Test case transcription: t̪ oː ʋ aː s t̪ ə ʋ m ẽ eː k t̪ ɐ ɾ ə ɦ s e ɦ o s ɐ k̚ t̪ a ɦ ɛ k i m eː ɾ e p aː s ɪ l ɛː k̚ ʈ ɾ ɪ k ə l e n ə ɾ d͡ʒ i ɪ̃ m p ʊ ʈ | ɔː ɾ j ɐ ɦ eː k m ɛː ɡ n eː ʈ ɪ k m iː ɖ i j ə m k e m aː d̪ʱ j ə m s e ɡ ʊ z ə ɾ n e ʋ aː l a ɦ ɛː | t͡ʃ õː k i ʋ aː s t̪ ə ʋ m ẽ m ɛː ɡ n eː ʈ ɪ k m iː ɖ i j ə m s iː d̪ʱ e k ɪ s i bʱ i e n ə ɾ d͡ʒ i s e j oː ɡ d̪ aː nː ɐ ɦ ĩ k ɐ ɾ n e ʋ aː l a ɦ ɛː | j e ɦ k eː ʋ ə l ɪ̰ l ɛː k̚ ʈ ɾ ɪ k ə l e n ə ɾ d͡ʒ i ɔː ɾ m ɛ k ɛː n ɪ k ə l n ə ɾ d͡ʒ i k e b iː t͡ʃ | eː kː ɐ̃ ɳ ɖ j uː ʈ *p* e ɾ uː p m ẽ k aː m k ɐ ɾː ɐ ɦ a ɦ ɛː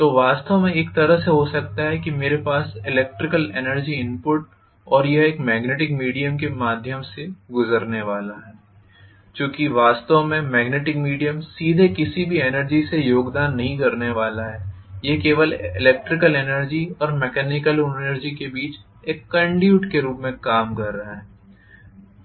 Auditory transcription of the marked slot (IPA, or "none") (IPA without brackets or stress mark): k